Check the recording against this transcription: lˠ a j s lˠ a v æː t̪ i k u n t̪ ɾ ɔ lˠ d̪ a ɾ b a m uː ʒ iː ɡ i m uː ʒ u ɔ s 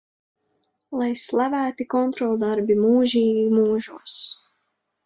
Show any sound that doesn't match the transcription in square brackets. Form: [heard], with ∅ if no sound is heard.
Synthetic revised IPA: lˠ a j s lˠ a v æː t̪ i k [ɔ] n t̪ ɾ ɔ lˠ d̪ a ɾ b [i] m uː ʒ iː ɡ i m uː ʒ u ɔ s